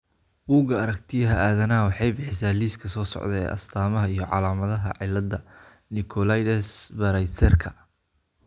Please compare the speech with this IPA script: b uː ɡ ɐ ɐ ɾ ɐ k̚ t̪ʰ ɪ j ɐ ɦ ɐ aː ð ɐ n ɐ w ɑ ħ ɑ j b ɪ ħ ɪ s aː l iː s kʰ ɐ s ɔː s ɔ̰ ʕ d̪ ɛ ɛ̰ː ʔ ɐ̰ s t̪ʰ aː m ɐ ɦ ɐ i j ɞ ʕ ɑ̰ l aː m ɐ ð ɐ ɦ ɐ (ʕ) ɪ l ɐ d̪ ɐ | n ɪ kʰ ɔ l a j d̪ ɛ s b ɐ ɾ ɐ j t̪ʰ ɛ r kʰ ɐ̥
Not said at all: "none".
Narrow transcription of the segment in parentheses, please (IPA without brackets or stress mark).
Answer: ʕ